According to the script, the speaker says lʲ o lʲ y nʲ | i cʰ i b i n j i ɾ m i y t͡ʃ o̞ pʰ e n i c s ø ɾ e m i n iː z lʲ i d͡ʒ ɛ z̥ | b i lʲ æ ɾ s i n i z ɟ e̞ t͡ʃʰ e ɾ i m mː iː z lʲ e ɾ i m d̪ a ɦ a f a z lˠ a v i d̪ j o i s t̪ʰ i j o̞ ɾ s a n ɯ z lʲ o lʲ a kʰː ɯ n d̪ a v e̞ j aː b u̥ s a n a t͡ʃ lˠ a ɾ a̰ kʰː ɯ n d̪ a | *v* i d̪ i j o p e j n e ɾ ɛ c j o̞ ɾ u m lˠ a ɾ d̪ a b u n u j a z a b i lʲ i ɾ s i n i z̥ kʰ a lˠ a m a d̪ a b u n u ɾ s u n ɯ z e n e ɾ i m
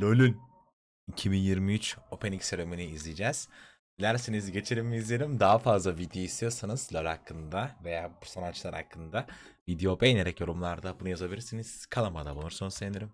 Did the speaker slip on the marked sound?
no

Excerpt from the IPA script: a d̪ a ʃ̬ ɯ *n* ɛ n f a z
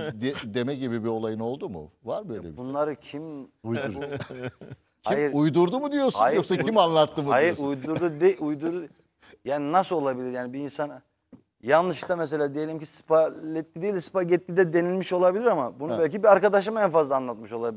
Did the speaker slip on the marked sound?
yes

